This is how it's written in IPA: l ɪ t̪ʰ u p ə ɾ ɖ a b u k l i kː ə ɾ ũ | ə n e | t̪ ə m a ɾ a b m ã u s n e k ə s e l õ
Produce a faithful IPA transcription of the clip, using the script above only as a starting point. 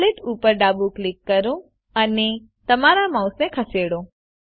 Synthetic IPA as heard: l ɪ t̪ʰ u p ə ɾ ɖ a b u k l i kː ə ɾ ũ | ə n e | t̪ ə m a ɾ a m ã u s n e kʰ ə s e ɽ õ